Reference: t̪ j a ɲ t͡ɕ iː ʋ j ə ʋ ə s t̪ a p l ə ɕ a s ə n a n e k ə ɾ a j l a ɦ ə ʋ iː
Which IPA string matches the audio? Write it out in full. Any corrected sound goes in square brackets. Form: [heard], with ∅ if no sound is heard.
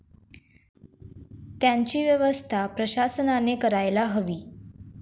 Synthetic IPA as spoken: t̪ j a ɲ t͡ɕ iː ʋ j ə ʋ ə s [t̪ʰ] a p [ɾ] ə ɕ a s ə n a n e k ə ɾ a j l a ɦ ə ʋ iː